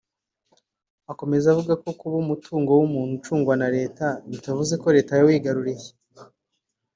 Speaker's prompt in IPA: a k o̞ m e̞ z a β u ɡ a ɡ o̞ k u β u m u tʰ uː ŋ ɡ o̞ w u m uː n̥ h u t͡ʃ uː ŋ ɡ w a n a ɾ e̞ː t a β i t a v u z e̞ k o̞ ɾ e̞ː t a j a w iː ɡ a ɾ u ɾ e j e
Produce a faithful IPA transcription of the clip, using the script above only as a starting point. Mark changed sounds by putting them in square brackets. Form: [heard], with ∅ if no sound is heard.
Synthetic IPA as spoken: a k o̞ m e̞ z a [v] u ɡ a [k] o̞ k u β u m u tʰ uː ŋ ɡ o̞ w u m uː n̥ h u t͡ʃ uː ŋ ɡ w a n a ɾ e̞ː t a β i t a v u z e̞ k o̞ ɾ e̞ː t a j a w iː ɡ a ɾ u ɾ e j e